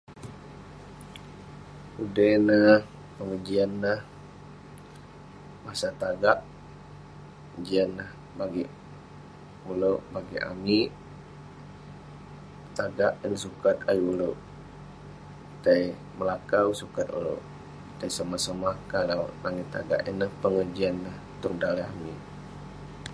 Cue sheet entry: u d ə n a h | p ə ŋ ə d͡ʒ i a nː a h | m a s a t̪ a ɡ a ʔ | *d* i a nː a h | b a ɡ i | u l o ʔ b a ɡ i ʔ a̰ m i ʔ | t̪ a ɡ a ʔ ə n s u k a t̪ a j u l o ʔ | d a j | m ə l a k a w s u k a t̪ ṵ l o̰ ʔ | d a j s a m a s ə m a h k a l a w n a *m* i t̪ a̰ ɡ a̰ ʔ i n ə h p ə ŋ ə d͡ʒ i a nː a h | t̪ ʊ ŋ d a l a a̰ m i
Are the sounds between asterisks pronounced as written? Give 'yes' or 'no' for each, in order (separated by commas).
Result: no, no